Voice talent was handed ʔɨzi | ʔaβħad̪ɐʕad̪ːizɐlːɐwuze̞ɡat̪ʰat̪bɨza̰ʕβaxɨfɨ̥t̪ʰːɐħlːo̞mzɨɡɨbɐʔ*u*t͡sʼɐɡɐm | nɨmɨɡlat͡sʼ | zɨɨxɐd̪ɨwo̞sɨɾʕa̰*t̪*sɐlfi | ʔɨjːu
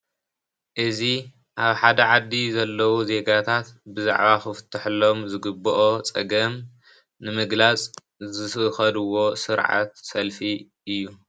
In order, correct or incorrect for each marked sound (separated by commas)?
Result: incorrect, correct